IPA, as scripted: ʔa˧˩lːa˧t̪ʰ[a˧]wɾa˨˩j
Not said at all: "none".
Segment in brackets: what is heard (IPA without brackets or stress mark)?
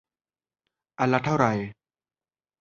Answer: a˥˩